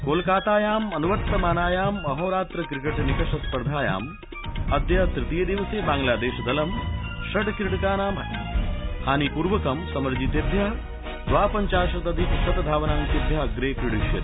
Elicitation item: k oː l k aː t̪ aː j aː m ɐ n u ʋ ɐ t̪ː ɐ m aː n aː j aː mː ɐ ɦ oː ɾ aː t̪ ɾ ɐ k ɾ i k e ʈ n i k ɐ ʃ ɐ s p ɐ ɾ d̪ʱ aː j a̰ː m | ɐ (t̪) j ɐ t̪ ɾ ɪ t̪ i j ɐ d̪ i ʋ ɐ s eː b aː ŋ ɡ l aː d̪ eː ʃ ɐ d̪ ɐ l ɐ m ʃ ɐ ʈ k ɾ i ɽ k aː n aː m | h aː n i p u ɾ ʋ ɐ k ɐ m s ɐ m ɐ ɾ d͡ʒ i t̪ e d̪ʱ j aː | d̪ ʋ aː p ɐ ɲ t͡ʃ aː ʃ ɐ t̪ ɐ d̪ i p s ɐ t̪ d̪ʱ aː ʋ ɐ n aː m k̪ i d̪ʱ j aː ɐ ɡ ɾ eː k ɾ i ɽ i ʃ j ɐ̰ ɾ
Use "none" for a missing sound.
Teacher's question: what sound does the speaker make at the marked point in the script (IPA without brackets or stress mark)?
d̪